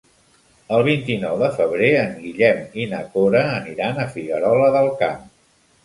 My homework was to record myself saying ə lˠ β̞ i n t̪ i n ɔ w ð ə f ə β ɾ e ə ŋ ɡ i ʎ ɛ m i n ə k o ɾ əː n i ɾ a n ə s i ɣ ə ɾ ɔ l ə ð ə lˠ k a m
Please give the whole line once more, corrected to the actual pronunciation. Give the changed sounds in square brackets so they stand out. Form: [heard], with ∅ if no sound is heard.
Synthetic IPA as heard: ə lˠ β̞ i n t̪ i n ɔ w ð ə f ə β ɾ e ə ŋ ɡ i ʎ ɛ m i n ə k o ɾ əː n i ɾ a n ə [f] i ɣ ə ɾ ɔ l ə ð ə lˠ k a m